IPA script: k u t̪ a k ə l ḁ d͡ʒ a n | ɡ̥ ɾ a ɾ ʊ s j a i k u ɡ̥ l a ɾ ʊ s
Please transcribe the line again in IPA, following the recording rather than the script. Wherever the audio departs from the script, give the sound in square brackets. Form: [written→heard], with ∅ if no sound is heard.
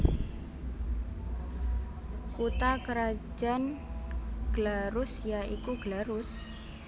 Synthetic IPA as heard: k u t̪ a k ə [l→ɾ] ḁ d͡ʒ a n | ɡ̥ [ɾ→l] a ɾ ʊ s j a i k u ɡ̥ l a ɾ ʊ s